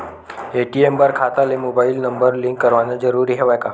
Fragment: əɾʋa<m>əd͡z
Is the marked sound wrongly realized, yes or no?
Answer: yes